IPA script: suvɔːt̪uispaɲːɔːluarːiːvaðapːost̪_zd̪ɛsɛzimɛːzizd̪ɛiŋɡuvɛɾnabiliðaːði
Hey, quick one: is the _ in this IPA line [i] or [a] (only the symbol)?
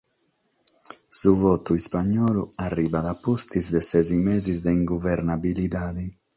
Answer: i